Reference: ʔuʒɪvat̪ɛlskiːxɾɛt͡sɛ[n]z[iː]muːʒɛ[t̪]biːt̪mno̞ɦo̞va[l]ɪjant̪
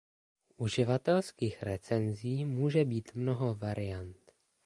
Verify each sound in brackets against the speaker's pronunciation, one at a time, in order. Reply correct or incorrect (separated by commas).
correct, correct, incorrect, incorrect